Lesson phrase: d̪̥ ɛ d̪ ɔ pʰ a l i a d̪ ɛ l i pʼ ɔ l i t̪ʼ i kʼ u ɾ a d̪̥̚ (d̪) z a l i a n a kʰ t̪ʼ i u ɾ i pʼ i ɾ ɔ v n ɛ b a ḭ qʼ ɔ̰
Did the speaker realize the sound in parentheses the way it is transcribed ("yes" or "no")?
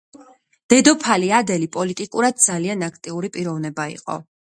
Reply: yes